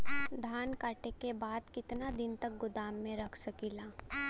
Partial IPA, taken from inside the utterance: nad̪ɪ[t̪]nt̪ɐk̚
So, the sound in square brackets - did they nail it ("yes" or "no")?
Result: no